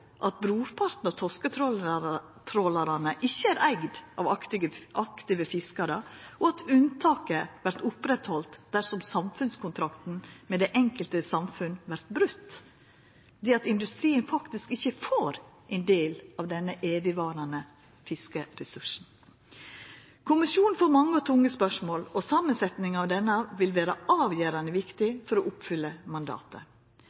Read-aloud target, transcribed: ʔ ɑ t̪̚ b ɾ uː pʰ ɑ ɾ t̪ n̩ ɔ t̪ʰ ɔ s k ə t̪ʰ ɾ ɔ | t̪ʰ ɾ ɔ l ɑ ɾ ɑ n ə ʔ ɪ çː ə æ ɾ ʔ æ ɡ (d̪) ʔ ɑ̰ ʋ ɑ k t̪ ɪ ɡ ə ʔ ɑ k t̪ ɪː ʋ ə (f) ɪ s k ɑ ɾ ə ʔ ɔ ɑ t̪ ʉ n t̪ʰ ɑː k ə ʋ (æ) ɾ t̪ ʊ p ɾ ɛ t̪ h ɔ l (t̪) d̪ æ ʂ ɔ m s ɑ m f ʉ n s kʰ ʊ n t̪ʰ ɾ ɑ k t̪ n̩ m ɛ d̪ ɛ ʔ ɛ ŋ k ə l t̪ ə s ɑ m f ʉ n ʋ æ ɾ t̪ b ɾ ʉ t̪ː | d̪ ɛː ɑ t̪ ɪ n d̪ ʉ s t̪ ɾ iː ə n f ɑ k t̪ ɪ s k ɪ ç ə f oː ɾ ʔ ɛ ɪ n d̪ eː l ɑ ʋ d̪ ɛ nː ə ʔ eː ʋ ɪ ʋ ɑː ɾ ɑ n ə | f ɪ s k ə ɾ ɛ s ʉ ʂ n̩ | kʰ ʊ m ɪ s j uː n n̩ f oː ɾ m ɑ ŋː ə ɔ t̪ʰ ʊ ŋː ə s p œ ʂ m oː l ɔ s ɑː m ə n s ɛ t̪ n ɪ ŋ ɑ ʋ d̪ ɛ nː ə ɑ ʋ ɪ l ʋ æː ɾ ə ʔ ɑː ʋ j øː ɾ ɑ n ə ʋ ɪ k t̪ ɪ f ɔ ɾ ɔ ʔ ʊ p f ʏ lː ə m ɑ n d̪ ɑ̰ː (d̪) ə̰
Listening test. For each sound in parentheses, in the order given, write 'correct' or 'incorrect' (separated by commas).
correct, correct, correct, correct, incorrect